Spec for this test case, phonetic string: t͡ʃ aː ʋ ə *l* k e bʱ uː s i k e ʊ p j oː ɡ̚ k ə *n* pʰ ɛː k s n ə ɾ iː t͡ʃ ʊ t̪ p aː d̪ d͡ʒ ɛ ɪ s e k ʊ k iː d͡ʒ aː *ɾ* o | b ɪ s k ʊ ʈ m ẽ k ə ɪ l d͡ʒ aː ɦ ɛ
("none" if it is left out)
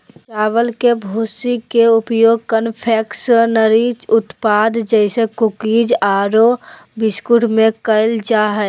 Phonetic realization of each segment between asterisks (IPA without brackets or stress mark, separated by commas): l, n, ɾ